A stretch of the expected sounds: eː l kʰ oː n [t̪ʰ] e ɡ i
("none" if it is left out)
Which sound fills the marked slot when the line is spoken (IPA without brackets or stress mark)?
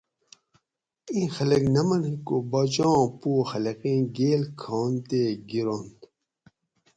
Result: t̪